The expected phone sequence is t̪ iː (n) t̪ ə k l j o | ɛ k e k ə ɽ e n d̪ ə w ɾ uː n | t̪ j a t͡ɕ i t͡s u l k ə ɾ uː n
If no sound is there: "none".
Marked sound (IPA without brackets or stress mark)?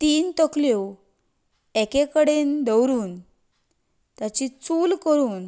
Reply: n